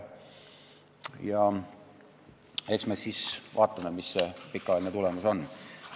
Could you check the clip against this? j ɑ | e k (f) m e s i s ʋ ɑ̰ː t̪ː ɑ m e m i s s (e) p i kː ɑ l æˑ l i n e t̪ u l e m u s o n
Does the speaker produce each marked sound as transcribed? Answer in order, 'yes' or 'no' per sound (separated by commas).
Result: no, yes